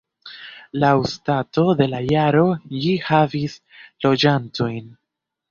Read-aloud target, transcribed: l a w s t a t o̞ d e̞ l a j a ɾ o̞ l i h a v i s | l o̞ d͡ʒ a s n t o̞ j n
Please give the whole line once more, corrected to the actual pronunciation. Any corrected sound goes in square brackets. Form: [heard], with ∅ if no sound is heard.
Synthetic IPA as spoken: l a w s t a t o̞ d e̞ l a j a ɾ o̞ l i h a v i s | l o̞ d͡ʒ a [∅] n t o̞ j n